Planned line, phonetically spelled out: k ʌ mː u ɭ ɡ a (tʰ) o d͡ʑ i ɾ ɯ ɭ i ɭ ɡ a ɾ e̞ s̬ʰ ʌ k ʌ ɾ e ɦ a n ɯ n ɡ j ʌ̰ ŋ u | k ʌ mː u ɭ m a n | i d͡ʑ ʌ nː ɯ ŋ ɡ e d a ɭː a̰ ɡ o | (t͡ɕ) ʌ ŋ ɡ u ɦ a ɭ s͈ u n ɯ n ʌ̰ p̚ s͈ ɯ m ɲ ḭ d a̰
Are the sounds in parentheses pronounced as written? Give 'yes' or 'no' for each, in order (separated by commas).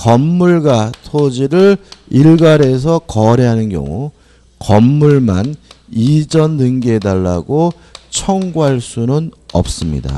yes, no